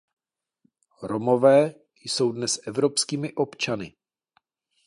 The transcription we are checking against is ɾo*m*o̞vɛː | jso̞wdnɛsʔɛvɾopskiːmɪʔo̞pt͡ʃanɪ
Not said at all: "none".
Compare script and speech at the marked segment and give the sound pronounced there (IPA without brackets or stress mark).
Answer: m